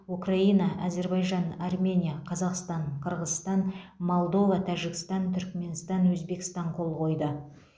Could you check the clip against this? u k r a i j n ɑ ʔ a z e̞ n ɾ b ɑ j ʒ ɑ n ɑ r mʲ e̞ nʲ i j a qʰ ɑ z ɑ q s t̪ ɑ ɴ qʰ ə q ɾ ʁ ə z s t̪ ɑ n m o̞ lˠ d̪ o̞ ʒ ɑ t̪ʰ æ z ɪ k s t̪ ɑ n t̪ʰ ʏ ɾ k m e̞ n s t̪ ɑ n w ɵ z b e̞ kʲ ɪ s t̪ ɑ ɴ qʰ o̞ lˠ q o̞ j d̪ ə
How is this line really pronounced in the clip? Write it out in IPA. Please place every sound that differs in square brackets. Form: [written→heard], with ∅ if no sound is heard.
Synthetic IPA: u k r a i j n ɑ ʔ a z e̞ [n→∅] ɾ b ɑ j ʒ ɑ n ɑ r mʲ e̞ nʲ i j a qʰ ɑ z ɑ q s t̪ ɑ ɴ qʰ ə [q→∅] ɾ ʁ ə z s t̪ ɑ n m o̞ lˠ d̪ o̞ [ʒ→v] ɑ t̪ʰ æ [z→ʒ] ɪ k s t̪ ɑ n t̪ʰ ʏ ɾ k m e̞ n s t̪ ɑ n w ɵ z b e̞ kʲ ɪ s t̪ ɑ ɴ qʰ o̞ lˠ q o̞ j d̪ ə